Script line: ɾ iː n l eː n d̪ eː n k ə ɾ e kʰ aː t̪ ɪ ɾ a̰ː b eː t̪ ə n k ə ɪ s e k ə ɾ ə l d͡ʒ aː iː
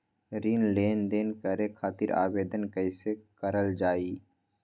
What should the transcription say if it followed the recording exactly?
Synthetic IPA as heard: ɾ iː n l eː n d̪ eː n k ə ɾ e kʰ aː t̪ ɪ ɾ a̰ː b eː d̪ ə n k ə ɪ s e k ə ɾ ə l d͡ʒ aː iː